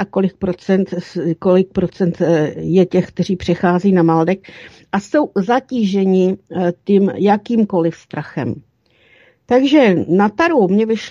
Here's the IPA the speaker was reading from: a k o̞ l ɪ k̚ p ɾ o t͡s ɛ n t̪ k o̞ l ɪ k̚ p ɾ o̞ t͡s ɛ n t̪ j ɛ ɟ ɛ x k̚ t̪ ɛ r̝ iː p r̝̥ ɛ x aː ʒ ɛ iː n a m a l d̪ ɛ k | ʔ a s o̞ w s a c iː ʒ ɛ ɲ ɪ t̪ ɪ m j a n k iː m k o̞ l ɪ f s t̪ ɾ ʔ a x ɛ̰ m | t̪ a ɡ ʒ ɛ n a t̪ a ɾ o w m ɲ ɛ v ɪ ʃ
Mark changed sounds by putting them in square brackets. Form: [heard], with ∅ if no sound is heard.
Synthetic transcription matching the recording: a k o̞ l ɪ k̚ p ɾ o t͡s ɛ n t̪ k o̞ l ɪ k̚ p ɾ o̞ t͡s ɛ n t̪ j ɛ [c] ɛ x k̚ t̪ ɛ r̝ iː p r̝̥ ɛ x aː [z] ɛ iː n a m a l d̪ ɛ k | ʔ a s o̞ w [z] a c iː ʒ ɛ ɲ ɪ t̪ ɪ m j a [∅] k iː m k o̞ l ɪ f s t̪ ɾ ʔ a x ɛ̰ m | t̪ a ɡ ʒ ɛ n a t̪ a ɾ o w m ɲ ɛ v ɪ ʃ